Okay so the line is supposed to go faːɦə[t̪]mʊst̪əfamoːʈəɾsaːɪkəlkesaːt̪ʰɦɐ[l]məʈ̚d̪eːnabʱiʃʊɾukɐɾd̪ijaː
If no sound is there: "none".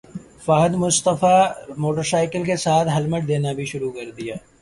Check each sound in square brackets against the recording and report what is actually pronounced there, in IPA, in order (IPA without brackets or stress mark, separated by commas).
d̪, l